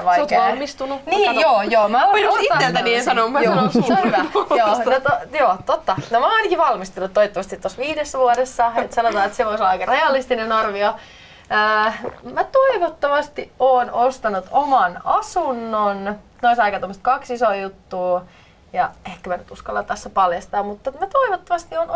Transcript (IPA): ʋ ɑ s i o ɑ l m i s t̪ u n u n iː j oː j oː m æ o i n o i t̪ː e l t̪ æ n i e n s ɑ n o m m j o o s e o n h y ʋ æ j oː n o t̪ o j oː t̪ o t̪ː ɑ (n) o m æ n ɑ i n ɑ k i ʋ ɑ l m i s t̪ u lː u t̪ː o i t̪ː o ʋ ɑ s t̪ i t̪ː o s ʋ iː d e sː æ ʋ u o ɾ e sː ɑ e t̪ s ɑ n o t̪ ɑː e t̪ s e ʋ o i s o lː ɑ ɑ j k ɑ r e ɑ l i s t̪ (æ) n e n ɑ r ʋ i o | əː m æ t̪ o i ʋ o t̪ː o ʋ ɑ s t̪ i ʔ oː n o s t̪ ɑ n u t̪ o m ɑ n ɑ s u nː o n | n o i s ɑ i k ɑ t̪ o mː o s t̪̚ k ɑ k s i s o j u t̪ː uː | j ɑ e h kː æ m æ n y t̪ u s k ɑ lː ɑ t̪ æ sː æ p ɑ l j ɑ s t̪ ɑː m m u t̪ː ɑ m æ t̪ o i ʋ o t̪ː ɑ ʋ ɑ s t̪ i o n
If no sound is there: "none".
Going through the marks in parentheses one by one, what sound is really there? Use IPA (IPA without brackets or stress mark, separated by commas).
n, i